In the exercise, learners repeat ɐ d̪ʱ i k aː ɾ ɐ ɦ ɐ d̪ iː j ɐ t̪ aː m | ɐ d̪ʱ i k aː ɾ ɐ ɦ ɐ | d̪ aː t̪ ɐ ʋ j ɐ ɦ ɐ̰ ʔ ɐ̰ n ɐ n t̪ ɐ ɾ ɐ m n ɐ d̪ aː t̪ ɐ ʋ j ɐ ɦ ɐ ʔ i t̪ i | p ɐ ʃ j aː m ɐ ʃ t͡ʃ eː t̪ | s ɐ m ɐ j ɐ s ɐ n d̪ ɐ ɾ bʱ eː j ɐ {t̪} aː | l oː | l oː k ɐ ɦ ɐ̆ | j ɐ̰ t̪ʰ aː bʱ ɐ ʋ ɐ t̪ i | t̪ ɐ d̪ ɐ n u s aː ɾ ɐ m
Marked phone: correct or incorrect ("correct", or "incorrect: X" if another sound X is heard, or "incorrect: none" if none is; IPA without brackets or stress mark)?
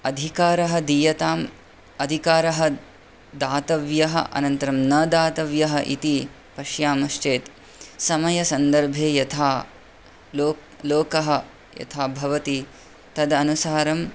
incorrect: t̪ʰ